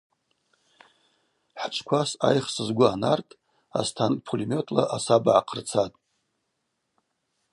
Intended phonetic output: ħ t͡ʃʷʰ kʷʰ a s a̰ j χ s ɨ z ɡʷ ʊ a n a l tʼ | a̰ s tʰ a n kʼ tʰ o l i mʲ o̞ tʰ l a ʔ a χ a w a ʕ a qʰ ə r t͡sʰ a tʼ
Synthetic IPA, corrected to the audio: ħ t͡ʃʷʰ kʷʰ a s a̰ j χ s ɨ z ɡʷ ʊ a n a r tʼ | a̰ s tʰ a n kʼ pʰ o l i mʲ o̞ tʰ l a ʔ a s a b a ʕ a qʰ ə r t͡sʰ a tʼ